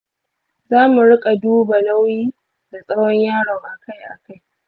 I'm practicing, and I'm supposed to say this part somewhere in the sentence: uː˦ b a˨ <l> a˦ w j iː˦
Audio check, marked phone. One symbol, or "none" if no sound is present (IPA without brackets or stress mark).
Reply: l